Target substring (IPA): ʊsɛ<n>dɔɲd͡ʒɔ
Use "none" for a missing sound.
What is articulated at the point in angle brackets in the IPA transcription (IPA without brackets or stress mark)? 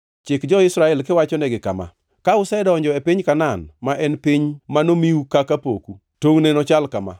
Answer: none